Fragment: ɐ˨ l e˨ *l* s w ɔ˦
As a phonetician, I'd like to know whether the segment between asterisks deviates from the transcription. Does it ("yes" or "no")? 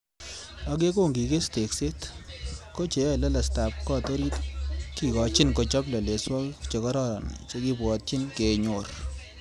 yes